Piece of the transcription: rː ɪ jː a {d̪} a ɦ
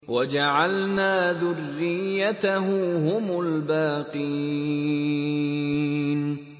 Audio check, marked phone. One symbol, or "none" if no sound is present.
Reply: t̪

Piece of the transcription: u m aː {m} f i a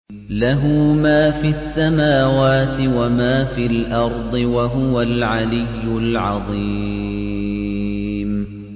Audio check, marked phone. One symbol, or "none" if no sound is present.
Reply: none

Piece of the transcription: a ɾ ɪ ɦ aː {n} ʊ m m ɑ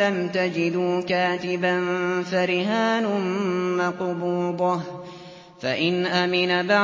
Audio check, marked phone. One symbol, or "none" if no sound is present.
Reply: n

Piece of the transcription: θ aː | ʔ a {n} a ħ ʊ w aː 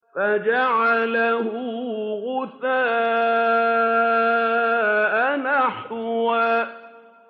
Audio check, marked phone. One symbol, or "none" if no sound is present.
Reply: n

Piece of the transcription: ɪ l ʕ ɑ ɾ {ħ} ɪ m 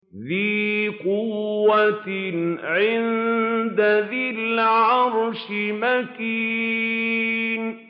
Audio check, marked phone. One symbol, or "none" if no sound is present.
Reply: ʃ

